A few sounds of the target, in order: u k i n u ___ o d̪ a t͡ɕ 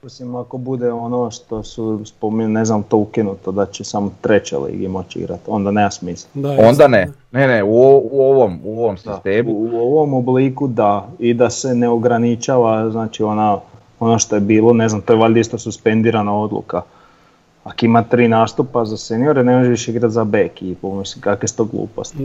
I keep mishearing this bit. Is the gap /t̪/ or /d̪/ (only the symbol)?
t̪